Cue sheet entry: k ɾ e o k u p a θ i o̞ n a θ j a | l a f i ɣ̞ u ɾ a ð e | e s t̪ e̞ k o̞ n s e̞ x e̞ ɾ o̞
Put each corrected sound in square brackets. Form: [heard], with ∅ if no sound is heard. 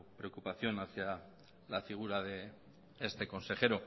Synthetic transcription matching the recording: [p] ɾ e o k u p a θ [j] o̞ n a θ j a | l a f i ɣ̞ u ɾ a ð e | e s t̪ e̞ k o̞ n s e̞ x e̞ ɾ o̞